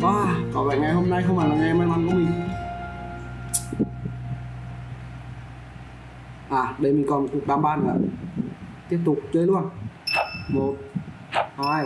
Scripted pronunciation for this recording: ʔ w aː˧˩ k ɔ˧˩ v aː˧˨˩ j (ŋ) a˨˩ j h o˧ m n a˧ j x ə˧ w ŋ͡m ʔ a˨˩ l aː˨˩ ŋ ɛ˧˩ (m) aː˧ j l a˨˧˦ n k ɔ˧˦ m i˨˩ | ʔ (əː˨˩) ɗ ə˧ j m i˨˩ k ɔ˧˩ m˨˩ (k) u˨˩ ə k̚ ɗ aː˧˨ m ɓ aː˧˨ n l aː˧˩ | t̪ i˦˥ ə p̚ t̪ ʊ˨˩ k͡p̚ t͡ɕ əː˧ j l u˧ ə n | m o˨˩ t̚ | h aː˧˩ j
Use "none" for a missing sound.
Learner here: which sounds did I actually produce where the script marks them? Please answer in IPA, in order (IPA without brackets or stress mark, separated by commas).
ŋ, m, aː˨˩, k